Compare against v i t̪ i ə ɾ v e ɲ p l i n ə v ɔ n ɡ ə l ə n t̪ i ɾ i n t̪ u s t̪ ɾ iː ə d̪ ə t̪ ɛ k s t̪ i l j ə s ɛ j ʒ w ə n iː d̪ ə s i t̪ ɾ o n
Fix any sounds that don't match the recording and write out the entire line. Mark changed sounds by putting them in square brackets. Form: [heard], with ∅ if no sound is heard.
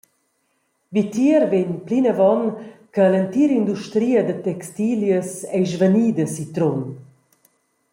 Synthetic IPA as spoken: v i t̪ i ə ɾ v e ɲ p l i n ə v ɔ n [k] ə l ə n t̪ i ɾ i n [d̪] u [ʃ] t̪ ɾ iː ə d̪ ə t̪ ɛ k s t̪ i l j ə s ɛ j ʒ [v] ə n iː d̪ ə s i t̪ ɾ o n